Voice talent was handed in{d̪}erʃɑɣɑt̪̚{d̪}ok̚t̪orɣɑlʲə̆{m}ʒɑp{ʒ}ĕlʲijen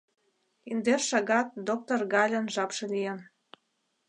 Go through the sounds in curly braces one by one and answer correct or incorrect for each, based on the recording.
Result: correct, correct, incorrect: n, incorrect: ʃ

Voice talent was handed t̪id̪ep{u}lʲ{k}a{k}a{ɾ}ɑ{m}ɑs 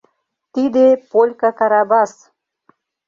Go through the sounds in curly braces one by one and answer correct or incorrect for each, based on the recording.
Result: incorrect: o, correct, correct, correct, incorrect: b

